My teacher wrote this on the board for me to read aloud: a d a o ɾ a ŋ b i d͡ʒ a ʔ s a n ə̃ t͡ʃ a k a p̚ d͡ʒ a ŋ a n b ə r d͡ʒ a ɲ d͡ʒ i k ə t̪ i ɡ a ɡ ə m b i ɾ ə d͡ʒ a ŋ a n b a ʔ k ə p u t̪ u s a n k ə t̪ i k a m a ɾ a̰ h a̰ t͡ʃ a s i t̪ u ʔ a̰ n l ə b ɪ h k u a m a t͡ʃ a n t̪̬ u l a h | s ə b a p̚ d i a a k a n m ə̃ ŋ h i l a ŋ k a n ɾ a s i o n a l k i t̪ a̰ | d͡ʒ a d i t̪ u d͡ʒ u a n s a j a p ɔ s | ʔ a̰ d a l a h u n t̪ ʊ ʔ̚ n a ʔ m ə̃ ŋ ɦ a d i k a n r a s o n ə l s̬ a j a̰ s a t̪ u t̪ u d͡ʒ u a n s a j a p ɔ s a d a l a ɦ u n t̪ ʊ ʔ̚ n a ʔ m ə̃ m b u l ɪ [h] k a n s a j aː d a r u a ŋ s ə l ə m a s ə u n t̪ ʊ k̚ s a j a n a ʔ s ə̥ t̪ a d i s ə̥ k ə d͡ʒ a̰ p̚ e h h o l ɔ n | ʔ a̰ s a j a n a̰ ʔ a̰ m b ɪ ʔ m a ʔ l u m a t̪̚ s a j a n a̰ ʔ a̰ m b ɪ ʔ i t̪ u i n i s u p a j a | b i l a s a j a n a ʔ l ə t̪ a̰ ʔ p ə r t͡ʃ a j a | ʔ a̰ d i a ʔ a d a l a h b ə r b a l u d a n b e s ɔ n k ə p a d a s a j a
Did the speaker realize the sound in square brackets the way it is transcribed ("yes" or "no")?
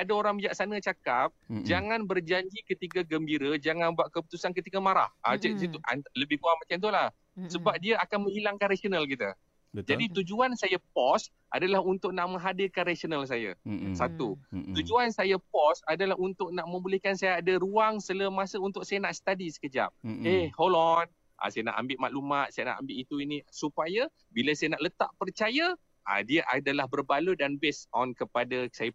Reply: yes